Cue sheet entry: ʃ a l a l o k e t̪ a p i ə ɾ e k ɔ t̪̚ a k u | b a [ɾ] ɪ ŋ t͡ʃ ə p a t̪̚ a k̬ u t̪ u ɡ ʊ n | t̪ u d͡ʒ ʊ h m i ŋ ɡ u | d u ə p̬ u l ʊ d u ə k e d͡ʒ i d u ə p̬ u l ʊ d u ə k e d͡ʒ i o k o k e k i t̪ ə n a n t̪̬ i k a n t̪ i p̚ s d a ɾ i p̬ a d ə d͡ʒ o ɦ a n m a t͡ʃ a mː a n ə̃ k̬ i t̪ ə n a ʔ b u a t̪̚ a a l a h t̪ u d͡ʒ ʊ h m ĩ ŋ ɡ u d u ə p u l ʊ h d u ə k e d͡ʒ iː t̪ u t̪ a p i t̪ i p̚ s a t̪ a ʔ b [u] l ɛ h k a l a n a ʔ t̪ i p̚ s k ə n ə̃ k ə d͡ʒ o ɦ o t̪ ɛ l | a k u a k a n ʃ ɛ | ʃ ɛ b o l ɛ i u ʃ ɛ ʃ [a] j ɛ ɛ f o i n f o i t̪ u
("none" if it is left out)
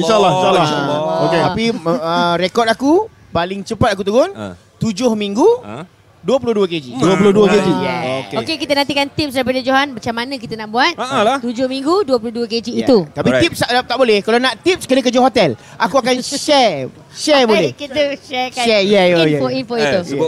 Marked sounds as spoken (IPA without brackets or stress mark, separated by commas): l, o, ɛ